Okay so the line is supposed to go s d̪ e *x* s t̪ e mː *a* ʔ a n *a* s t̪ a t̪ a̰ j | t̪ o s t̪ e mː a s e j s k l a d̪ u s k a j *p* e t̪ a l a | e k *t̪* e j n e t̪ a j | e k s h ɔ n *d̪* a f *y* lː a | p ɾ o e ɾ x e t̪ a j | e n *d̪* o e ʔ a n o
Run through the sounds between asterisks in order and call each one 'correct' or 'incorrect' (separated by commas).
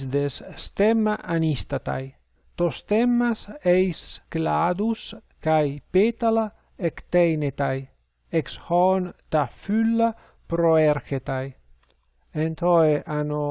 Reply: incorrect, correct, incorrect, correct, correct, incorrect, correct, incorrect